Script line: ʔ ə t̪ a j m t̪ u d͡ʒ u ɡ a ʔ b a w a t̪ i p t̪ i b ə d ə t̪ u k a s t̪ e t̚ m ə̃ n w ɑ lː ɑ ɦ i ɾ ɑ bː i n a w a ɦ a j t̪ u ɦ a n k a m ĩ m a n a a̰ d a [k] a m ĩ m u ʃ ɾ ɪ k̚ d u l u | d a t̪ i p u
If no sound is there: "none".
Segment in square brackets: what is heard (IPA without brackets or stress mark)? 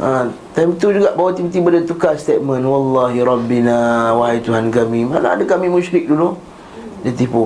k